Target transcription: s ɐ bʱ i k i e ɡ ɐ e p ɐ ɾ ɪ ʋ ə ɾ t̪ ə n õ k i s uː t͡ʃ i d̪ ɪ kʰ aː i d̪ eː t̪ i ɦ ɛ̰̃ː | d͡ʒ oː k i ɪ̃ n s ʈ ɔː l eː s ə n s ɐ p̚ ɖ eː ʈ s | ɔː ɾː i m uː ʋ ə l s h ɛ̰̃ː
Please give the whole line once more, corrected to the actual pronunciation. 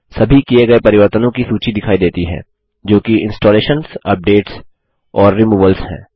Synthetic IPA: s ɐ bʱ i k i e ɡ ɐ e p ɐ ɾ ɪ ʋ ə ɾ t̪ ə n õ k i s uː t͡ʃ i d̪ ɪ kʰ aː i d̪ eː t̪ i ɦ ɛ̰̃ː | d͡ʒ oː k i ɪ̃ n s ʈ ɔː l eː ʃ ə n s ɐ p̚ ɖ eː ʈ s | ɔː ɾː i m uː ʋ ə l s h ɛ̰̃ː